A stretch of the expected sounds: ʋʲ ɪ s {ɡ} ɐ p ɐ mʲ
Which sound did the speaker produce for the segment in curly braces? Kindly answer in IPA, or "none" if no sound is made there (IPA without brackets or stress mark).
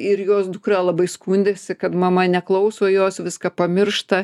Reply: k